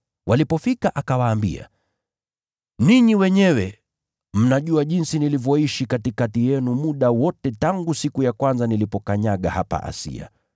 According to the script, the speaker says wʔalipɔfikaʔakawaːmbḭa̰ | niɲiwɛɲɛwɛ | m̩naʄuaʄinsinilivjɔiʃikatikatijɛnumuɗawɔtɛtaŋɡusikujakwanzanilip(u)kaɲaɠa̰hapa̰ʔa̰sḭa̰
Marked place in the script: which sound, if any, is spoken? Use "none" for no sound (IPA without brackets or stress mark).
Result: ɔ